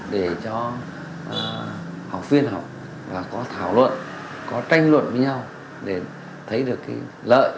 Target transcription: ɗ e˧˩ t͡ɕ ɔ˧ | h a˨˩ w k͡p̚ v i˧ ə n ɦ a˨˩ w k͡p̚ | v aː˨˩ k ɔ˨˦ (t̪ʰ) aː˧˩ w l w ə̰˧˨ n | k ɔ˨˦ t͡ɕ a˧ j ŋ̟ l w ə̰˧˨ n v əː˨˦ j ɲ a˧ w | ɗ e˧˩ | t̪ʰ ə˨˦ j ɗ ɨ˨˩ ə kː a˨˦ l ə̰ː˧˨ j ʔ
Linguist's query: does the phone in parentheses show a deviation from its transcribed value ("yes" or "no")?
no